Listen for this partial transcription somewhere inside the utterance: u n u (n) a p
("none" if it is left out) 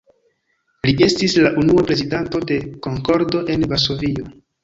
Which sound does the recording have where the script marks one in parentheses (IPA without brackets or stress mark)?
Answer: none